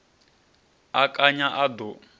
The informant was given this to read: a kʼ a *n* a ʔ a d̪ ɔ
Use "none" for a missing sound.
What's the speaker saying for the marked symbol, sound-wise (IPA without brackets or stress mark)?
ɲ